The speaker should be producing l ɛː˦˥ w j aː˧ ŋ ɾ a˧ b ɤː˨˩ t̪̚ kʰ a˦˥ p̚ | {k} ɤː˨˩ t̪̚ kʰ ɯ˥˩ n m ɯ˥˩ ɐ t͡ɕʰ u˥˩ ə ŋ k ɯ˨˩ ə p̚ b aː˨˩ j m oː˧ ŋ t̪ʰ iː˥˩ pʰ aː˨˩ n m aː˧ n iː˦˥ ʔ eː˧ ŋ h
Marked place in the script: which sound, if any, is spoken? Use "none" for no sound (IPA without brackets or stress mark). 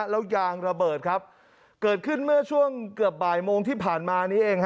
k